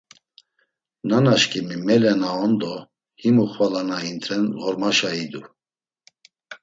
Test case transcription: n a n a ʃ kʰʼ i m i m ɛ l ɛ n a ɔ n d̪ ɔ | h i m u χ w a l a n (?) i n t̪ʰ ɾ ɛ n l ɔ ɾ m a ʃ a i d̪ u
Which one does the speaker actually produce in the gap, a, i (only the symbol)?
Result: a